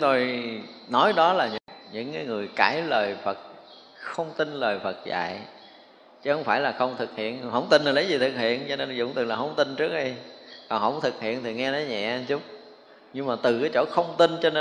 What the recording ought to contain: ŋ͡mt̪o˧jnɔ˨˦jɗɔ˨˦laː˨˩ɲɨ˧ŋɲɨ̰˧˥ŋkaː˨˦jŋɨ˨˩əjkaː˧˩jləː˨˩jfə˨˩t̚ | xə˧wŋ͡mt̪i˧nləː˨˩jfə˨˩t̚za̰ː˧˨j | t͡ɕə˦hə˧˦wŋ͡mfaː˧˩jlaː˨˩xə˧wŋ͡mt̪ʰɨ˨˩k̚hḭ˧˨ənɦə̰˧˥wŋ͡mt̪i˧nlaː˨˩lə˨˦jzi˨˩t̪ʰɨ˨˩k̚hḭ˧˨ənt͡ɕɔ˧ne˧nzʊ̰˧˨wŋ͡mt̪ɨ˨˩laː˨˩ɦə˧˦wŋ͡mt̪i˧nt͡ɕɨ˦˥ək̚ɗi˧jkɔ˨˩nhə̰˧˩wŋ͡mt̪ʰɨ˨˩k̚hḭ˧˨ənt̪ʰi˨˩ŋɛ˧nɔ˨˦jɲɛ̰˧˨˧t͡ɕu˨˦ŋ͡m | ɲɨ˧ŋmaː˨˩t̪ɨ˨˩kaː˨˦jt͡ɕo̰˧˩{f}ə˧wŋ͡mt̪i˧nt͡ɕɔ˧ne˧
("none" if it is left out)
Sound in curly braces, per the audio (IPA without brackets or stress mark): x